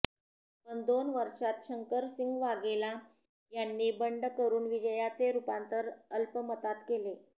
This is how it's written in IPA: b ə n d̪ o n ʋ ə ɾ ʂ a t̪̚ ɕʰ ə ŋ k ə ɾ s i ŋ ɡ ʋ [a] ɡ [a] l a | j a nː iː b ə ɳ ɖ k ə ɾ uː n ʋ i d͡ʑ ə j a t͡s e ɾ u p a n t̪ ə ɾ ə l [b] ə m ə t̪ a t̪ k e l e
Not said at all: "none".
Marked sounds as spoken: a, e, p

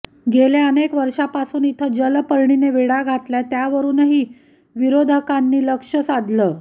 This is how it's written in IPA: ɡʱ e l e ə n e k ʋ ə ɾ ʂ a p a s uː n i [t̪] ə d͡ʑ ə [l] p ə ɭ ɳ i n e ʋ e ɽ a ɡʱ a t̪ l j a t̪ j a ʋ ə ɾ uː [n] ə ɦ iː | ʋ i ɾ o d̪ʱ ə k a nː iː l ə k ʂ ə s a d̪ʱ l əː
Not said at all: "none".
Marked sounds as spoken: t̪ʰ, l, n

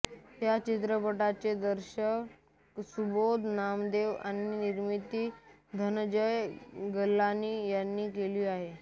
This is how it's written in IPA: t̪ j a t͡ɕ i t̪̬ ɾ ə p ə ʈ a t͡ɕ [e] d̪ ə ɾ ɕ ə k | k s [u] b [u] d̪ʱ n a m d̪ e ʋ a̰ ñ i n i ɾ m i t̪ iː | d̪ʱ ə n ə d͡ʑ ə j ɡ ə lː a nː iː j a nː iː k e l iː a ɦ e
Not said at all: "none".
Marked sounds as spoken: e, u, o

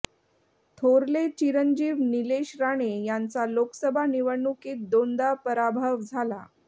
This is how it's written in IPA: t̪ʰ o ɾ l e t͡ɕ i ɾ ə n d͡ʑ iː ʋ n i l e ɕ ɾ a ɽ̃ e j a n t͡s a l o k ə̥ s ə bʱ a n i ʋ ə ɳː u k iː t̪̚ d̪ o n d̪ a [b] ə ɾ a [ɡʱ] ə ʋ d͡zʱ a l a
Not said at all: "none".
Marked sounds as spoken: p, bʱ

